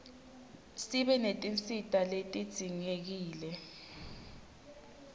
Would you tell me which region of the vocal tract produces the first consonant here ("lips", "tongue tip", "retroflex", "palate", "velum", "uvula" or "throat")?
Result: tongue tip